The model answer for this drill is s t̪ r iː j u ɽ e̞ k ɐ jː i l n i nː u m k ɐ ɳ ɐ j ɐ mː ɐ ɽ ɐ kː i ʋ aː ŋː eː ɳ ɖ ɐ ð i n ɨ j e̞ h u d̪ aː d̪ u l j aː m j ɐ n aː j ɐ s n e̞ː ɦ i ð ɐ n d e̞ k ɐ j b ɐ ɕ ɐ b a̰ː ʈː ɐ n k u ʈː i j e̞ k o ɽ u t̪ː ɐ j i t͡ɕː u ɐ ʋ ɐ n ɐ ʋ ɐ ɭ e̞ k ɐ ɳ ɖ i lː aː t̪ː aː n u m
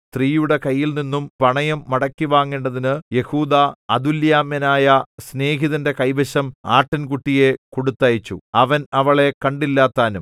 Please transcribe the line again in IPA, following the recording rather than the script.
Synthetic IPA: s t̪ r iː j u ɽ e̞ k ɐ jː i l n i nː u m p ɐ ɳ ɐ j ɐ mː ɐ ɽ ɐ kː i ʋ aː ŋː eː ɳ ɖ ɐ ð i n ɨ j e̞ h uː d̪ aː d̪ u l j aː m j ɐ n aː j ɐ s n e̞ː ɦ i ð ɐ n d e̞ k ɐ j b ɐ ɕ ɐ m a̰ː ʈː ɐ n k u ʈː i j e̞ k o ɽ u t̪ː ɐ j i t͡ɕː u ɐ ʋ ɐ n ɐ ʋ ɐ ɭ e̞ k ɐ ɳ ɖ i lː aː t̪ː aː n u m